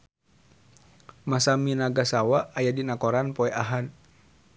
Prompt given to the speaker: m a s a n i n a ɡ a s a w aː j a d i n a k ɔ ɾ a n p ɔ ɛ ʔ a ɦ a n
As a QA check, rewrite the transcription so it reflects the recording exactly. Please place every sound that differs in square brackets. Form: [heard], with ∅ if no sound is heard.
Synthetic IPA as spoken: m a s a [m] i n a ɡ a s a w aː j a d i n a k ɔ ɾ a n p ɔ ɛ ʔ a ɦ a n